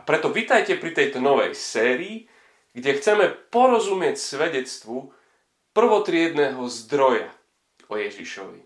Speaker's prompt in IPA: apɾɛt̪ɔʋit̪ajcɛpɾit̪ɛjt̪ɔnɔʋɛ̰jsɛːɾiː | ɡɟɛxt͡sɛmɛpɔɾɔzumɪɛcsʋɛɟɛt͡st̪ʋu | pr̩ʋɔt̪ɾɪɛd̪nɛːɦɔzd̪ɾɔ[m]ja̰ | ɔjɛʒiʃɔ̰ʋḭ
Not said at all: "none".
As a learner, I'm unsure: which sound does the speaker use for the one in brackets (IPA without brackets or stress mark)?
none